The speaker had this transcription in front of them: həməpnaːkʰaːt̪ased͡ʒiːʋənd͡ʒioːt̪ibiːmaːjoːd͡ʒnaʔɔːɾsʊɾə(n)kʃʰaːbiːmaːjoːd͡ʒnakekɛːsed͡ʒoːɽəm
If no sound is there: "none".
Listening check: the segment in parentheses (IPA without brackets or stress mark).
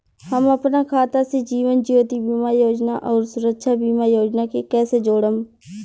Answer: none